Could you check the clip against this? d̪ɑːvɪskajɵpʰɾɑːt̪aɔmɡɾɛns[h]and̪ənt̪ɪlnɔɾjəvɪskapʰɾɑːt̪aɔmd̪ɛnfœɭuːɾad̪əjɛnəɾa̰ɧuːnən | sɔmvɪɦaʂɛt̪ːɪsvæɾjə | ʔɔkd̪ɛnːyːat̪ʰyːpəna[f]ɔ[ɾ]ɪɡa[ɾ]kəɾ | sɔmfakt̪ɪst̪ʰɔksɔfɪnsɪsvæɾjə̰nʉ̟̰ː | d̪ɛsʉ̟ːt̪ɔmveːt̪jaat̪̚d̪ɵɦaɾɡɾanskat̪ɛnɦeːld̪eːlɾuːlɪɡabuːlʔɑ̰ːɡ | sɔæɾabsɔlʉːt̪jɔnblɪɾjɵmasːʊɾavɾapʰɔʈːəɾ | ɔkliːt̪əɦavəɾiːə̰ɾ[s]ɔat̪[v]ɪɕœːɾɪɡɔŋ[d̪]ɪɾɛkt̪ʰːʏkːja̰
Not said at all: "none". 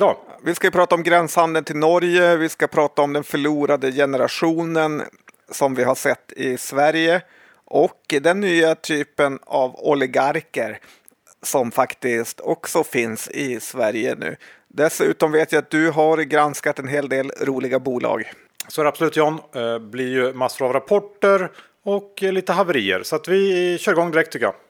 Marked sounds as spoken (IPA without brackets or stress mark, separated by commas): h, v, l, ɾ, s, v, d̪